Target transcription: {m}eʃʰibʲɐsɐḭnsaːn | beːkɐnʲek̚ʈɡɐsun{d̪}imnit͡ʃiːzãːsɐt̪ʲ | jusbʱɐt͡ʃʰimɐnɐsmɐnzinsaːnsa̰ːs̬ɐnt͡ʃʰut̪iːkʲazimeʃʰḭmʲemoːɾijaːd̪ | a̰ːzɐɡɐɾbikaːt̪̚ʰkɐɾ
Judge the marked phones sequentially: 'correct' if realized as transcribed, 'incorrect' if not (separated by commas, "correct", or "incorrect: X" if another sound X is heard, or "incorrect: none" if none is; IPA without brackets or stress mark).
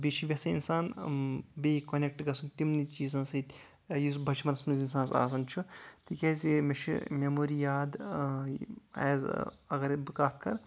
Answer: incorrect: b, incorrect: t̪